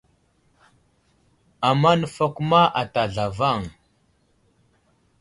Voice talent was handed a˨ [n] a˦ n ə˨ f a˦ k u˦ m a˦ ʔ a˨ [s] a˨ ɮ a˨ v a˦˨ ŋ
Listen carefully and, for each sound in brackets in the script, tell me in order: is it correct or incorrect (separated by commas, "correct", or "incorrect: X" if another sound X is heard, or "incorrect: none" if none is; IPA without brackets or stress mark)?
incorrect: m, incorrect: t